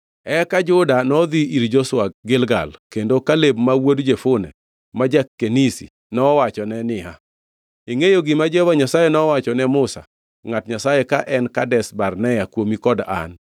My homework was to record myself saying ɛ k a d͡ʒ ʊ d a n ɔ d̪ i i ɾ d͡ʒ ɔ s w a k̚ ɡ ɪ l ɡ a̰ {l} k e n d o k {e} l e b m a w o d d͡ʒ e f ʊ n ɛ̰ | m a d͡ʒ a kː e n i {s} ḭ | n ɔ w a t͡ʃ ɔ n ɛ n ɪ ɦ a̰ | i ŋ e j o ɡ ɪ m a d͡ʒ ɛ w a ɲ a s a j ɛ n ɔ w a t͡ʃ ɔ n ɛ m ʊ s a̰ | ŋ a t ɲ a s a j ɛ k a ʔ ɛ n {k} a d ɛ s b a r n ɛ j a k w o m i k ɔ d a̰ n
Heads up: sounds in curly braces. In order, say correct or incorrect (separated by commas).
correct, incorrect, correct, correct